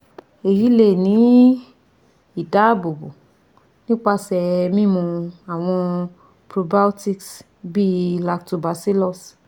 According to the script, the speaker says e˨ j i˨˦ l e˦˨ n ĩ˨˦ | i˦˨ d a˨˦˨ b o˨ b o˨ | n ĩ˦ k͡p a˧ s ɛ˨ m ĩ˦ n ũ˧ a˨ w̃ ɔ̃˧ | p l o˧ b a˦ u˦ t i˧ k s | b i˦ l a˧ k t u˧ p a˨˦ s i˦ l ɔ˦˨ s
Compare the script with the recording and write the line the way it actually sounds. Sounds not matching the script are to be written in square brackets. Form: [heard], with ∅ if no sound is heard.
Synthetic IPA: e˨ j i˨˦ l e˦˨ n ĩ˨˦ | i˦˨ d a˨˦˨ b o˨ b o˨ | n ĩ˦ k͡p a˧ s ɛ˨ m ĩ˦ [m] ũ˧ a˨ w̃ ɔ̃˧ | p [ɾ] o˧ b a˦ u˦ t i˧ k s | b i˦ l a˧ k t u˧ [b] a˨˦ s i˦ l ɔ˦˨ s

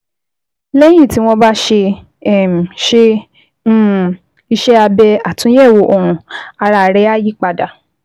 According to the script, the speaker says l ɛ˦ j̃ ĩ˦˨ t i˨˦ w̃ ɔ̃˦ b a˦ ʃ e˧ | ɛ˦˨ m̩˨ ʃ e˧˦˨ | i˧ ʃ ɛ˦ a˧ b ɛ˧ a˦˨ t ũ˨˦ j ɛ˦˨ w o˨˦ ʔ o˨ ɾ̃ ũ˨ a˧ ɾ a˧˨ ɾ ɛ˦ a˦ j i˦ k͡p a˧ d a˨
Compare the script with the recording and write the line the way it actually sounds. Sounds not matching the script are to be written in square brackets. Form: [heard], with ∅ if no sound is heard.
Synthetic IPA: l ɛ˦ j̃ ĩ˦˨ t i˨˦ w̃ ɔ̃˦ b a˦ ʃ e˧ | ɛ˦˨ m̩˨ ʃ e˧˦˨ | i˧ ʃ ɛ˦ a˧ b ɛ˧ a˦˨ t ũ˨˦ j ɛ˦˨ w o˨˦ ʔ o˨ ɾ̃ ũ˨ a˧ ɾ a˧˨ ɾ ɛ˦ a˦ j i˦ k͡p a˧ d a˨

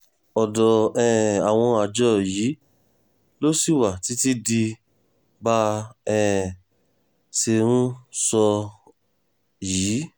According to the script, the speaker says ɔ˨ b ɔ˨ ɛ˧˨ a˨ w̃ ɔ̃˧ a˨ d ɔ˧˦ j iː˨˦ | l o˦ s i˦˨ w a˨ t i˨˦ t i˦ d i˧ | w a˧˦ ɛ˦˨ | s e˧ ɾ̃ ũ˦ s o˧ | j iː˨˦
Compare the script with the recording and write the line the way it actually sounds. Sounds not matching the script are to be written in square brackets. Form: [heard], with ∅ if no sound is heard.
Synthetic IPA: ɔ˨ [d] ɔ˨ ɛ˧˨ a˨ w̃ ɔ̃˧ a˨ [d͡ʒ] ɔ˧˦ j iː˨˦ | l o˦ s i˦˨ w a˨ t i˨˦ t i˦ d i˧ | [b] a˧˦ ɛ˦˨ | s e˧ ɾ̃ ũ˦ s [ɔ˧] | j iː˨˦

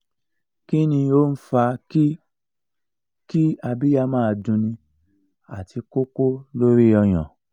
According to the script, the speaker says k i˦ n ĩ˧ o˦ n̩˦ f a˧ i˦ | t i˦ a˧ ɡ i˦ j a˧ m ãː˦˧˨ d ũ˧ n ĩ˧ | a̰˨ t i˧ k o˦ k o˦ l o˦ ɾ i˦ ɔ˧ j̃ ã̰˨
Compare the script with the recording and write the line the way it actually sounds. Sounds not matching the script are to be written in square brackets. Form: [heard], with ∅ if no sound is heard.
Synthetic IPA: k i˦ n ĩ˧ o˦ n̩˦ f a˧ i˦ | [k] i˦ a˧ [b] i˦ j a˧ m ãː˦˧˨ d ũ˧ n ĩ˧ | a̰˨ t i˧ k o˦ k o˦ l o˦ ɾ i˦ ɔ˧ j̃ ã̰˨

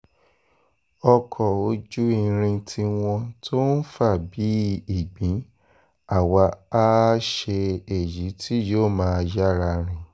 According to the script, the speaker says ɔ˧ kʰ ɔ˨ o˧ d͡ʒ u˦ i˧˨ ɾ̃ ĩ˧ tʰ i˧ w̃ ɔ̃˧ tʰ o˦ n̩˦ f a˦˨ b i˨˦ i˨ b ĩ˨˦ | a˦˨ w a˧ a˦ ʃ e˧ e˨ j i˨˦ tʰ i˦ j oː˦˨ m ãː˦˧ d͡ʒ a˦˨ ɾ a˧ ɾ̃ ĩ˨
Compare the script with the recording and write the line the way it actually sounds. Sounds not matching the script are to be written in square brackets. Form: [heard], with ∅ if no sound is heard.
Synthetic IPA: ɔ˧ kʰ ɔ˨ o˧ d͡ʒ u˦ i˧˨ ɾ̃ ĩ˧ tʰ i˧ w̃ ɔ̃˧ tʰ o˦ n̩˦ f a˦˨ b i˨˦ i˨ [ɡ͡b] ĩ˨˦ | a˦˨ w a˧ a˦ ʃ e˧ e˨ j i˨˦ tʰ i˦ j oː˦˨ m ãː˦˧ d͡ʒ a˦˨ ɾ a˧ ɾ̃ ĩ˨

